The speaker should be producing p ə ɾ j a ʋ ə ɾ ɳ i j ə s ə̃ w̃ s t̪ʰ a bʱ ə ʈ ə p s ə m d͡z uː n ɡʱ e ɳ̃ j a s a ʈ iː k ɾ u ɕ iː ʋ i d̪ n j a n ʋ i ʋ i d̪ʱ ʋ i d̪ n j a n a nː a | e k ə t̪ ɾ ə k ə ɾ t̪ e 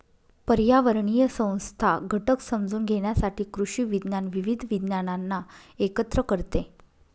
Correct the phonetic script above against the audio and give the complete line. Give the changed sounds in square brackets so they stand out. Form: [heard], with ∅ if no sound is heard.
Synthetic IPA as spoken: p ə ɾ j a ʋ ə ɾ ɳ i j ə s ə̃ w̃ s t̪ʰ a [ɡʱ] ə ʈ ə [k] s ə m d͡z uː n ɡʱ e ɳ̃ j a s a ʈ iː k ɾ u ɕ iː ʋ i d̪ n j a n ʋ i ʋ i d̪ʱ ʋ i d̪ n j a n a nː a | e k ə t̪ ɾ ə k ə ɾ t̪ e